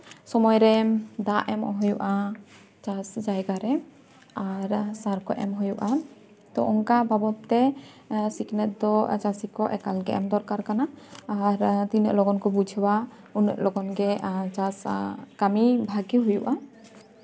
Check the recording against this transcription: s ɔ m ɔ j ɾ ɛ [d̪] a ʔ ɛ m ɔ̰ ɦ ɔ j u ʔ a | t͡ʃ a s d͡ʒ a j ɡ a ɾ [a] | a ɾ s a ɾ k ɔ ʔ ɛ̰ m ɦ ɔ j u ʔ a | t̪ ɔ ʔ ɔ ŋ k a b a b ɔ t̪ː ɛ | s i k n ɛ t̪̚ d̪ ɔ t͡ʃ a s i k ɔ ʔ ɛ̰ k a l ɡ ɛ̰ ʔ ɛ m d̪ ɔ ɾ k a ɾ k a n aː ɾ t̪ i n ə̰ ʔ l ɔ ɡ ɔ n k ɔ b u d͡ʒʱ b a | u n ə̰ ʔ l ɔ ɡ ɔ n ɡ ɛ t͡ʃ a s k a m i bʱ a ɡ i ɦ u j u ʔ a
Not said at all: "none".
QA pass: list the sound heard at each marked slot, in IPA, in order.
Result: d̪, ɛ

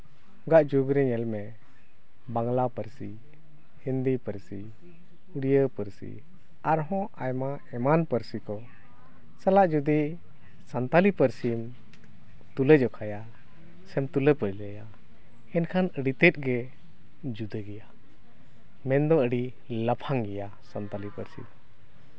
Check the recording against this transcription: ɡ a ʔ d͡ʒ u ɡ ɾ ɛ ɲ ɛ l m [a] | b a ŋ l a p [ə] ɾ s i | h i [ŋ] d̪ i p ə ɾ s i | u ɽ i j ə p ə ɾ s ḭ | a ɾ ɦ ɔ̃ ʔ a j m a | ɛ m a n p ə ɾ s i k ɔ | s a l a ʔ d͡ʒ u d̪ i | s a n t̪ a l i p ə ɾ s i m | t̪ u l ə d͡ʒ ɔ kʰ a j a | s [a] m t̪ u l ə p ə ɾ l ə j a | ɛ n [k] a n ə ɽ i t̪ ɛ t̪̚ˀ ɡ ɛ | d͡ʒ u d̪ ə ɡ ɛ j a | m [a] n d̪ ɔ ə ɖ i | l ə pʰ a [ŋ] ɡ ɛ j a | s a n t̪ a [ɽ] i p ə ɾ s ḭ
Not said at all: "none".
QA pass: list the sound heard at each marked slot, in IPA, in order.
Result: ɛ, ə, n, ɛ, kʰ, ɛ, ŋ, l

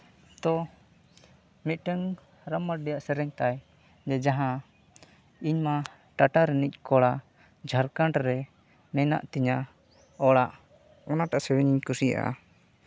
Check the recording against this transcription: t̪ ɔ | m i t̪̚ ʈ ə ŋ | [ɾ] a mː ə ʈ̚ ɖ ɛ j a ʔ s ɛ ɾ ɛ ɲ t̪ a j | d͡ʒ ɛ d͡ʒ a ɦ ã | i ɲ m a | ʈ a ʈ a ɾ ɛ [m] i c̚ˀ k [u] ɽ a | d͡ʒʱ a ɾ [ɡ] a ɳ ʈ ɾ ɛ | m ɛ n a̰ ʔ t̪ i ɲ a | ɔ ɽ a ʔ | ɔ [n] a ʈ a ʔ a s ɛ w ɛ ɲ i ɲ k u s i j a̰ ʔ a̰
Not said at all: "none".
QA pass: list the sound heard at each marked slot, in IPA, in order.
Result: ɾ, n, ɔ, k, n

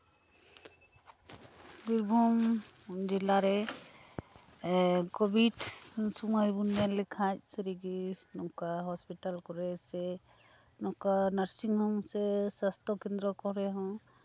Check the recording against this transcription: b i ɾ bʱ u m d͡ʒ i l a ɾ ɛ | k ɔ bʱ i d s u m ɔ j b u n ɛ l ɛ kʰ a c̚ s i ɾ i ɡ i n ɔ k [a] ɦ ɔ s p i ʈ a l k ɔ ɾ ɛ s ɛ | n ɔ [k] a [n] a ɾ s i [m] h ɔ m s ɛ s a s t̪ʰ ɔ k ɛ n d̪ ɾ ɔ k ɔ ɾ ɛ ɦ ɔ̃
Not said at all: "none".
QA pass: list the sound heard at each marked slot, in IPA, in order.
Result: a, k, n, ŋ

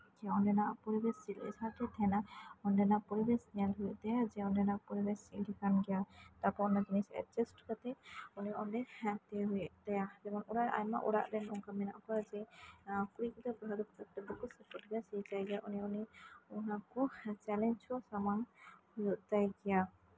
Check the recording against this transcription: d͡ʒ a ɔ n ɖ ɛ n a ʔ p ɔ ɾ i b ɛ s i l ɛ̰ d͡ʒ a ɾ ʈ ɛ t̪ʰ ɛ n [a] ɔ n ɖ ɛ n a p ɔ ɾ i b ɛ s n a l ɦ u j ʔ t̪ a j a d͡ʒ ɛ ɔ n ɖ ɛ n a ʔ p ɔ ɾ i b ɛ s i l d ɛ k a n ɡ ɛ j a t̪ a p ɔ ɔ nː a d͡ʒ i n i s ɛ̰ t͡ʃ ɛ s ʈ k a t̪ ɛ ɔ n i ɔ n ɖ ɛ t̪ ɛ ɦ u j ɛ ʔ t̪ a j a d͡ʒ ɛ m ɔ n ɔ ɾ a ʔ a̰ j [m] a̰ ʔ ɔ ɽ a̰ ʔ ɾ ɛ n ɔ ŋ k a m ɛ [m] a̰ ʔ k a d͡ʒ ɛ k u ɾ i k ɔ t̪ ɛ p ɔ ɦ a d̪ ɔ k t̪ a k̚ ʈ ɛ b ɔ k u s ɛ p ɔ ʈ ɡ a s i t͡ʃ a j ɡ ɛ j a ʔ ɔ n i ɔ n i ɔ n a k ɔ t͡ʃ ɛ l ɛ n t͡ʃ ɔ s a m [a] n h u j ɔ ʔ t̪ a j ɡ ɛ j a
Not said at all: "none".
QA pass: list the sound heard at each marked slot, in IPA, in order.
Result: a, m, n, a

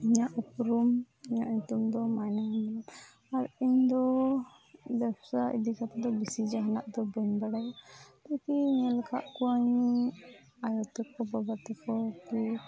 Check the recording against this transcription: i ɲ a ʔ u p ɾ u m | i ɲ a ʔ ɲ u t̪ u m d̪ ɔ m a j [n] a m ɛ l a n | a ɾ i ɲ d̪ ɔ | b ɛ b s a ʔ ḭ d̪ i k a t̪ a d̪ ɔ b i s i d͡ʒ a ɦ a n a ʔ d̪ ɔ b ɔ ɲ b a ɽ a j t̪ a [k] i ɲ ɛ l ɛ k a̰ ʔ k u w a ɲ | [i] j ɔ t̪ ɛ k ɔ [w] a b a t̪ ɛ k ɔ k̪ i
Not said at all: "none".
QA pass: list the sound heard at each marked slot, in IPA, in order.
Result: n, k, a, b

